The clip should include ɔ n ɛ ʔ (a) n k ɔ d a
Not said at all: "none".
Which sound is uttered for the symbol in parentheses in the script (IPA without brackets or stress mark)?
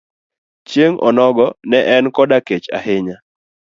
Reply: ɛ